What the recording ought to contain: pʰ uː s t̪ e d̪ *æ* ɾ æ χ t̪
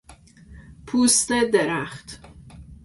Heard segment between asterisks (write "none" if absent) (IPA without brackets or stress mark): e